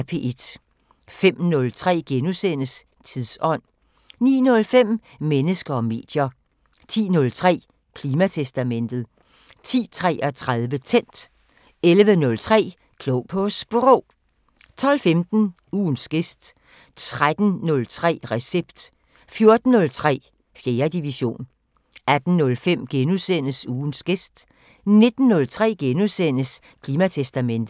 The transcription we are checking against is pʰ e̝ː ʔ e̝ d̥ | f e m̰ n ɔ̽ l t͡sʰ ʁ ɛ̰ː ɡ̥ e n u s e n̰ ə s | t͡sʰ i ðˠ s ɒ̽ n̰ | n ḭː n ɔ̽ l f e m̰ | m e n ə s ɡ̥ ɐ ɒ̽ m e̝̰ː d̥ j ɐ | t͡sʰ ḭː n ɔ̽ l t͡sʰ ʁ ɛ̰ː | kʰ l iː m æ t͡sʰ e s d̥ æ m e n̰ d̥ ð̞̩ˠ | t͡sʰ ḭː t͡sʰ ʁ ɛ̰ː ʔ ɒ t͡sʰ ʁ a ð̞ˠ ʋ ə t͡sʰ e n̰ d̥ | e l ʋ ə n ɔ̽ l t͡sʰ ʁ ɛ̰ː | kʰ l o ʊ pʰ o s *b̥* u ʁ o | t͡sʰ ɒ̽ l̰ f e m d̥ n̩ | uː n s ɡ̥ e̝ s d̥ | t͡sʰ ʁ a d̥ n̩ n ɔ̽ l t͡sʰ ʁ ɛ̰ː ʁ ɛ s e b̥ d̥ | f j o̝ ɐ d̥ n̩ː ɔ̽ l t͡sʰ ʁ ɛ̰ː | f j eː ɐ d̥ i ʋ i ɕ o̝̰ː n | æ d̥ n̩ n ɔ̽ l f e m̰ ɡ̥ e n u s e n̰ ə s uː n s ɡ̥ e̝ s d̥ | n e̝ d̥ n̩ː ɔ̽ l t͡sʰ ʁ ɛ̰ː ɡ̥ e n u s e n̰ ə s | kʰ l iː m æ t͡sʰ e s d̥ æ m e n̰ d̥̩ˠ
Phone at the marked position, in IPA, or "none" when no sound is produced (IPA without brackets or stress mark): b̥